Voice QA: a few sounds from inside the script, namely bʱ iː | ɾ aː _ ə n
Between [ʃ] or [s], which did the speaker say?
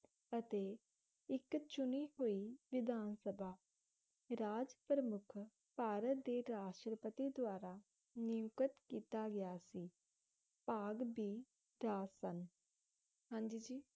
s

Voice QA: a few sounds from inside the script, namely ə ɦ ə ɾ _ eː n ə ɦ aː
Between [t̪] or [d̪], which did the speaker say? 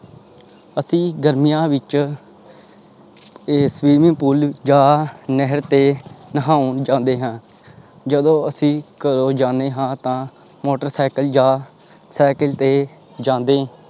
t̪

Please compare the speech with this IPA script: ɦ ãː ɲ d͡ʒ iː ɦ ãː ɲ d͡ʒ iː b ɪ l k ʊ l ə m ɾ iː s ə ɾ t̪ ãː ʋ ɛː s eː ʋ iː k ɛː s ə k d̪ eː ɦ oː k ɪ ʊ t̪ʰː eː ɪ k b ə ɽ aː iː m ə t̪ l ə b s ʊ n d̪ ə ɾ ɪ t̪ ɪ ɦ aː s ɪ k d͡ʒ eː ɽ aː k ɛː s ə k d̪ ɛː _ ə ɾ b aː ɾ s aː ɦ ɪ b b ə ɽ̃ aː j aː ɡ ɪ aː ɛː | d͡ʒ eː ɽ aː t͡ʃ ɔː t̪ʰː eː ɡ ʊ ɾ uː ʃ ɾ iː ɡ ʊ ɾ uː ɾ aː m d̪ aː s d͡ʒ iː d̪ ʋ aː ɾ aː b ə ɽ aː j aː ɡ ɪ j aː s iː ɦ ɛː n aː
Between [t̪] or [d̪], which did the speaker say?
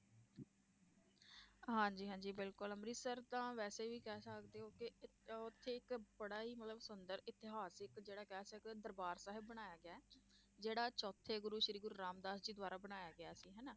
d̪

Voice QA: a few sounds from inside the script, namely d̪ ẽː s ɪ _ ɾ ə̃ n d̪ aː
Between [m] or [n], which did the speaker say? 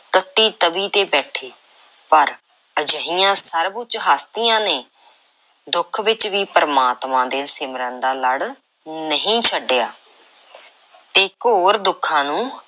m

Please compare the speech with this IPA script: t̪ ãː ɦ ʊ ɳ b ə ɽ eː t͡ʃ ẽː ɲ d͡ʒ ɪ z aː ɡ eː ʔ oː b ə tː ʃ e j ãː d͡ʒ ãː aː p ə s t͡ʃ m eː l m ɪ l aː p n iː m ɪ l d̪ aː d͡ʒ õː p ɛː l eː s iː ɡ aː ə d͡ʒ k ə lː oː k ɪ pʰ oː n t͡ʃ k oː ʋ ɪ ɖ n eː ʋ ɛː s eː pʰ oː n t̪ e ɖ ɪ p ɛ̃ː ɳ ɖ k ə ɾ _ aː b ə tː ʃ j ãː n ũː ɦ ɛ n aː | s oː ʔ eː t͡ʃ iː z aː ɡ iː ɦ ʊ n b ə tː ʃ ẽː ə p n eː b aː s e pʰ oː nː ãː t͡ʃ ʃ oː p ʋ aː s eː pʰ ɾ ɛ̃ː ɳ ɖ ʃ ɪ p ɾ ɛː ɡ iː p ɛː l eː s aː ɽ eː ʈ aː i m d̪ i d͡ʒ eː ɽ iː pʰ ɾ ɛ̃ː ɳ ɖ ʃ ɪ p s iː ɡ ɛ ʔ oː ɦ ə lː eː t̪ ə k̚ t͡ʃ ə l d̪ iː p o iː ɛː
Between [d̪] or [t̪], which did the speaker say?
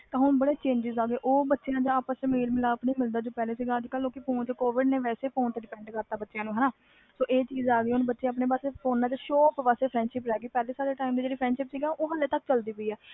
t̪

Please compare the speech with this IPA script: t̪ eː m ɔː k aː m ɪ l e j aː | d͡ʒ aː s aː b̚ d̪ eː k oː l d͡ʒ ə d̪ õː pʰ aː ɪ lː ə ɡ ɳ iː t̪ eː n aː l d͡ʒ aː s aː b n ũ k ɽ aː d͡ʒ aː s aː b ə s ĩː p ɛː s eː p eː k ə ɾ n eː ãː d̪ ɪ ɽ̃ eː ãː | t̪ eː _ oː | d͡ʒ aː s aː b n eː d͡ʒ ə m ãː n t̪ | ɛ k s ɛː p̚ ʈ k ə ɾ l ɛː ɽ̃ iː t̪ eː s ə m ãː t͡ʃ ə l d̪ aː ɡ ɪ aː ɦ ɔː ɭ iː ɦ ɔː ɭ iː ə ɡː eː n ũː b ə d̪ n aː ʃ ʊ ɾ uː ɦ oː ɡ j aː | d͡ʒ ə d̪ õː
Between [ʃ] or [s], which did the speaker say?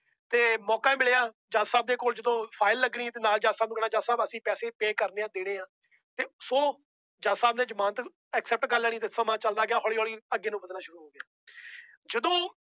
s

